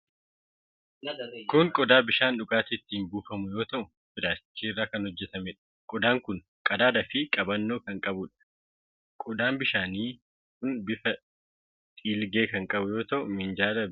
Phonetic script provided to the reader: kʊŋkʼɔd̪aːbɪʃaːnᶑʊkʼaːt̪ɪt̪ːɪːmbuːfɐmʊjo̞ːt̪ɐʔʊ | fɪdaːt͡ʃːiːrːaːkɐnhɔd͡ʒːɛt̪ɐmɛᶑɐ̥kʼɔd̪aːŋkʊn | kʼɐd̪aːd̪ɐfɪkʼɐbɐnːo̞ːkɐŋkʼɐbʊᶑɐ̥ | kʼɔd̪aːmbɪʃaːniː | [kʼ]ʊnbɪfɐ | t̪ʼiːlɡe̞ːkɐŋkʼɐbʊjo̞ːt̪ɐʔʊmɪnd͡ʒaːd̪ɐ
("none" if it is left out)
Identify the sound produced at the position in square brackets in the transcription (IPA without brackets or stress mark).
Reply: k